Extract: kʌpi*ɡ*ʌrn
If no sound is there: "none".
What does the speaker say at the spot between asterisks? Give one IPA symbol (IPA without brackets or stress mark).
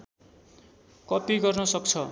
ɡ